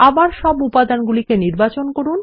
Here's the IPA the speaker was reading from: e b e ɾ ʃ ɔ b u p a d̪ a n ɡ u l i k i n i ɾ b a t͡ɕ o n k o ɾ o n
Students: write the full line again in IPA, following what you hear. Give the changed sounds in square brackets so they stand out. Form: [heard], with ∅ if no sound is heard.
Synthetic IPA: [a] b [a] ɾ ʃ ɔ b u p a d̪ a n ɡ u l i k [e] n i ɾ b a t͡ɕ o n k o ɾ [u] n

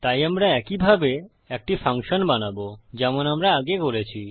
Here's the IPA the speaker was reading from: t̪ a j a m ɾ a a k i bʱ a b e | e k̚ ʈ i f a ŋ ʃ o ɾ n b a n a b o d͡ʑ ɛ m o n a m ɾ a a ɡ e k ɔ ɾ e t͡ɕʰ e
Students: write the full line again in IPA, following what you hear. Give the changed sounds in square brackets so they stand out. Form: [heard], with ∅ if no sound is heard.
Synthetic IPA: t̪ a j a m ɾ a [ɛ] k i bʱ a b e | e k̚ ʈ i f a ŋ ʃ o [∅] n b a n a b o d͡ʑ ɛ m o n a m ɾ a a ɡ e k [o] ɾ e t͡ɕʰ [i]

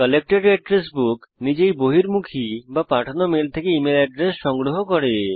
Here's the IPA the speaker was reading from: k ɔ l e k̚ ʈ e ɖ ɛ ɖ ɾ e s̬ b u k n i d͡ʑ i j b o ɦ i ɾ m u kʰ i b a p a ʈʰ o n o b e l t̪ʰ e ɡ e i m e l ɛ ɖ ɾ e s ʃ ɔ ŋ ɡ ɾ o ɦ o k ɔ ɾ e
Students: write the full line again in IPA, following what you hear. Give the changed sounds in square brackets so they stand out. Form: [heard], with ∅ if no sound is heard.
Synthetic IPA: k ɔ l e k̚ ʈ e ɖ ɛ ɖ ɾ e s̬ b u k n i d͡ʑ [e] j b o ɦ i ɾ m u kʰ i b a p a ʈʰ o n o [m] e l t̪ʰ e [k] e i m e l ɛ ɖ ɾ e s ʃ ɔ ŋ ɡ ɾ o ɦ o k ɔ ɾ e

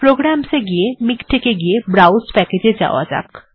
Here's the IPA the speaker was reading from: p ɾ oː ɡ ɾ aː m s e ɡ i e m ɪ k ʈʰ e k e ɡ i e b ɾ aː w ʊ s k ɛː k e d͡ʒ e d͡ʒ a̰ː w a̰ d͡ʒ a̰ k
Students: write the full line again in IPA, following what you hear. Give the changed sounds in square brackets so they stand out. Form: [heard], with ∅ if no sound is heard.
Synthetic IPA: p ɾ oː ɡ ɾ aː m s e ɡ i e m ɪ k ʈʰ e k e ɡ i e b ɾ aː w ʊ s [p] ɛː k e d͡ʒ e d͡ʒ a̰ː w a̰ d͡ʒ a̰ k

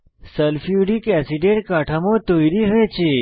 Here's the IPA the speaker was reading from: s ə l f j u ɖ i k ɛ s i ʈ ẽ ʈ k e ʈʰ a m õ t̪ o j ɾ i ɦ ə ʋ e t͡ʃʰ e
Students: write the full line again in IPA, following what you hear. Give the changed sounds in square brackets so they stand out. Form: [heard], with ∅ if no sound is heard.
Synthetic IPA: s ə l f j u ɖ i k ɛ s i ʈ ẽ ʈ k [a] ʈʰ a m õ t̪ o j ɾ i ɦ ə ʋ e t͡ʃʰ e

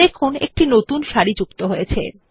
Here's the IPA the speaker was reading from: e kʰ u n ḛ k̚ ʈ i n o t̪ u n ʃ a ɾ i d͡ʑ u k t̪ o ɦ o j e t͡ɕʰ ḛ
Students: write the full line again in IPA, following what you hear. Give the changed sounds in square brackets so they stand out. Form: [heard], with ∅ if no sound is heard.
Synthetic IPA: e kʰ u n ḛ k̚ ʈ i n o t̪ u n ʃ a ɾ i d͡ʑ u k t̪ o ɦ o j e t͡ɕʰ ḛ

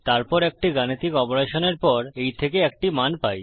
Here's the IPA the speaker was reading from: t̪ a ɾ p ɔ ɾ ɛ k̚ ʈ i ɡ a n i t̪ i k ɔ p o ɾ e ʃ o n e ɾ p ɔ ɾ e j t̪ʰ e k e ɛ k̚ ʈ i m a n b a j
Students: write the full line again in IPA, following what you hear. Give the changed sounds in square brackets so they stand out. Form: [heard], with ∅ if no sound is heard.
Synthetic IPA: t̪ a ɾ p ɔ ɾ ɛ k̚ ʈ i ɡ a n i t̪ i k ɔ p o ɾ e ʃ o n e ɾ p ɔ ɾ e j t̪ʰ e k e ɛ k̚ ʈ i m a n [p] a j

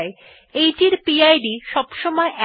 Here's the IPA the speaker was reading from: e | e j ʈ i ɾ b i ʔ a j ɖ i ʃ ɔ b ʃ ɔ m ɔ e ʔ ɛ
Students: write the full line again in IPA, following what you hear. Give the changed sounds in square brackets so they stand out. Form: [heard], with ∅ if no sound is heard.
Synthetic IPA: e | e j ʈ i ɾ [p] i [∅] a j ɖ i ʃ ɔ b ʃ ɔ m ɔ e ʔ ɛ

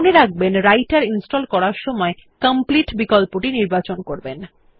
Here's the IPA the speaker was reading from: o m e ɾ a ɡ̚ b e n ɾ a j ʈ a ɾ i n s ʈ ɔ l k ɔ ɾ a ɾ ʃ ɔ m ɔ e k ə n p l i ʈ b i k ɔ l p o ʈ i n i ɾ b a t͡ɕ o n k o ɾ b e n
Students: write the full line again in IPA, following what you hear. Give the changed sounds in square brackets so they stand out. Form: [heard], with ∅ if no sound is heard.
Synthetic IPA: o [n] e ɾ a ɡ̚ b e n ɾ a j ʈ a ɾ i n s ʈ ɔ l k ɔ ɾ a ɾ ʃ ɔ m ɔ e k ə [m] p l i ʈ b i k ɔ l p o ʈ i n i ɾ b a t͡ɕ o n k o ɾ b e n

